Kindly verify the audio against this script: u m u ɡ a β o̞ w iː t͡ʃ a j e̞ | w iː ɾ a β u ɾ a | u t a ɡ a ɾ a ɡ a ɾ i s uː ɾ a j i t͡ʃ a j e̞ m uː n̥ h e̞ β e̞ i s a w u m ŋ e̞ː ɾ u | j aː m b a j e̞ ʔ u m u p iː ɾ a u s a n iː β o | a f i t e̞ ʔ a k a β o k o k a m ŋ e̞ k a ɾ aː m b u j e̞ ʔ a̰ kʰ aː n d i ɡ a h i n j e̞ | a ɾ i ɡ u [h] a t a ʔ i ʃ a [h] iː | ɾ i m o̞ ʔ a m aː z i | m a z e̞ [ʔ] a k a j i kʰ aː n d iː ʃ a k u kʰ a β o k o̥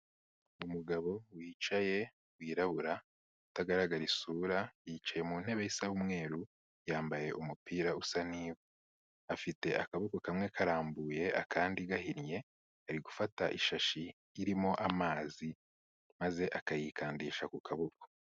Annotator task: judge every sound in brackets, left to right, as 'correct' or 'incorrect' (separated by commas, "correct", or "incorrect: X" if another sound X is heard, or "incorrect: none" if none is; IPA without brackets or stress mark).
incorrect: f, incorrect: ʃ, correct